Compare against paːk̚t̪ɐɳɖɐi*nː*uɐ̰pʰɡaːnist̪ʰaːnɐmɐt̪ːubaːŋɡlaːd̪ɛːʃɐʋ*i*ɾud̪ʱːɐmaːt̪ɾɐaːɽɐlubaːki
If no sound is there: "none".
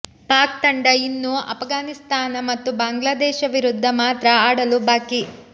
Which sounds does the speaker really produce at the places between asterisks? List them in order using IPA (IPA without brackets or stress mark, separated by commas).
nː, i